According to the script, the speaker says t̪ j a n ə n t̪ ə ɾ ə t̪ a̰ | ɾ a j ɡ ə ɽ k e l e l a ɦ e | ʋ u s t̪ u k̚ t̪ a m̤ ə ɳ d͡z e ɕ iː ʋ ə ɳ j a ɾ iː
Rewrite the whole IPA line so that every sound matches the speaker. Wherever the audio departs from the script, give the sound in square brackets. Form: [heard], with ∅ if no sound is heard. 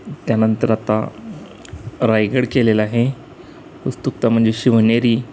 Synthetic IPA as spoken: t̪ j a n ə n t̪ ə ɾ [a] t̪ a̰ | ɾ a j ɡ ə ɽ k e l e l a ɦ e | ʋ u s t̪ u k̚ t̪ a m̤ ə ɳ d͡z e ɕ [i] ʋ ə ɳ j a ɾ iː